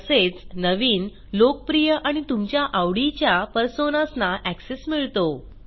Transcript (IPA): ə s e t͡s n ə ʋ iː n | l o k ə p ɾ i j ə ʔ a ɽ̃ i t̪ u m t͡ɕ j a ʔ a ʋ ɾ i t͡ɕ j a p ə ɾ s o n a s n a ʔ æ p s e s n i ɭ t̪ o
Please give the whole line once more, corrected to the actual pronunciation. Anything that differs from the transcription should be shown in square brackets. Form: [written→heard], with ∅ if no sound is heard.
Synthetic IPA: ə s e t͡s n ə ʋ iː n | l o k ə p ɾ i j ə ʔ a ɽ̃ i t̪ u m t͡ɕ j a ʔ a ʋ [ɾ→ɽ] i t͡ɕ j a p ə ɾ s o n a s n a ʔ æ [p→k] s e s [n→m] i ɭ t̪ o